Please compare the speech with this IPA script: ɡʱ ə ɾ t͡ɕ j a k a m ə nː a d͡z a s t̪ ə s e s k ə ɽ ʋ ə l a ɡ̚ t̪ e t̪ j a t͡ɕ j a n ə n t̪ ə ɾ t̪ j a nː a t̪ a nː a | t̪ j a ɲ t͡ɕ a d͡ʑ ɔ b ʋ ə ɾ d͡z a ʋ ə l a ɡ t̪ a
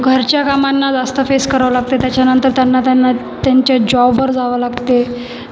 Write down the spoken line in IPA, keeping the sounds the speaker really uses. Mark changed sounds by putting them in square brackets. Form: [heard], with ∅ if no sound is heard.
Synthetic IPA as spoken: ɡʱ ə ɾ t͡ɕ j a k a m [a] nː a d͡z a s t̪ ə [f] e s k ə [ɾ] ʋ ə l a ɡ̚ t̪ e t̪ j a t͡ɕ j a n ə n t̪ ə ɾ t̪ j a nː a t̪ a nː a | t̪ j a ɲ t͡ɕ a d͡ʑ ɔ b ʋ ə ɾ d͡z a ʋ ə l a ɡ t̪ [e]